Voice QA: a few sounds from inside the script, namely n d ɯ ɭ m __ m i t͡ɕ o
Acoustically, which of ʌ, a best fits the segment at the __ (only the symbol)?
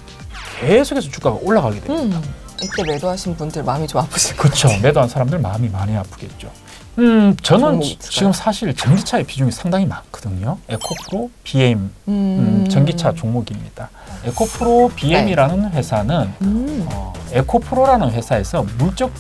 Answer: a